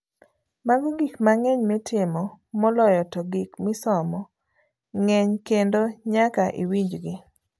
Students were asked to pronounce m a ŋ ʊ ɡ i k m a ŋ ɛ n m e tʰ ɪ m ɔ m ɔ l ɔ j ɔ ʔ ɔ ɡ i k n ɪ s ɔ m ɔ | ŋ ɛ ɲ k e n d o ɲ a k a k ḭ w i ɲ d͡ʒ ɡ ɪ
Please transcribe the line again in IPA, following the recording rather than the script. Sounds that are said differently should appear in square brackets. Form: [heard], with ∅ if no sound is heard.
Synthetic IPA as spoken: m a [ɡ] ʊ ɡ i k m a ŋ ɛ [ɲ] m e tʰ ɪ m ɔ m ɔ l ɔ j ɔ [t] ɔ ɡ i k [m] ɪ s ɔ m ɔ | ŋ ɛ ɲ k e n d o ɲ a k a [ʔ] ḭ w i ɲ d͡ʒ ɡ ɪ